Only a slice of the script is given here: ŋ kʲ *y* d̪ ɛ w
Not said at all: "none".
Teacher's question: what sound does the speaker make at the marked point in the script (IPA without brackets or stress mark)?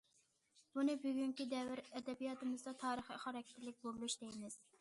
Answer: i